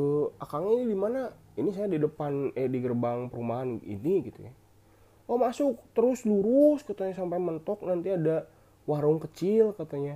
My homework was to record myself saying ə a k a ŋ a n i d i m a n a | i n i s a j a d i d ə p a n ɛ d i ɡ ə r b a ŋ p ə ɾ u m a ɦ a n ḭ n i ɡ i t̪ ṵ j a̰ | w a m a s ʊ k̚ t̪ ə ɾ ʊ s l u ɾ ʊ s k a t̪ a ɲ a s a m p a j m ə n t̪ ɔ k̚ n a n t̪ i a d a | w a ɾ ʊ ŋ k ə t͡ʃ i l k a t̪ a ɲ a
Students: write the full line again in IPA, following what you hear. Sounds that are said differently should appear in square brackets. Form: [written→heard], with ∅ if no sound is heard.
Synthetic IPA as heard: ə a k a ŋ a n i d i m a n a | i n i s a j a d i d ə p a n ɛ d i ɡ ə r b a ŋ p ə ɾ u m a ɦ a n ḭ n i ɡ i t̪ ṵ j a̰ | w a m a s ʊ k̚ t̪ ə ɾ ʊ s l u ɾ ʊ s k a t̪ a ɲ a s a m p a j m ə n t̪ ɔ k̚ n a n t̪ i a d a | w a ɾ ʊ ŋ k ə t͡ʃ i l k a t̪ a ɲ a